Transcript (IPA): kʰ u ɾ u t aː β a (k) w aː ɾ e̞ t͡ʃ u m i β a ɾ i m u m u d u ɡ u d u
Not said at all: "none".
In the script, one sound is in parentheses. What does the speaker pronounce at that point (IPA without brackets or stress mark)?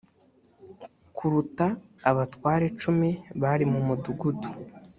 t